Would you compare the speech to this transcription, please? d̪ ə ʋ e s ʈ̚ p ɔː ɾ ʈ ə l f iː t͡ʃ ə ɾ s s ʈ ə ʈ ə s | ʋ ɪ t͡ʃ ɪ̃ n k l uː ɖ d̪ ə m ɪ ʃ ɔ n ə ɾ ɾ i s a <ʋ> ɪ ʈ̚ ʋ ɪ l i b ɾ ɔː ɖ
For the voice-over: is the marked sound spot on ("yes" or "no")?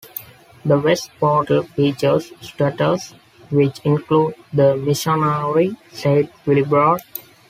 no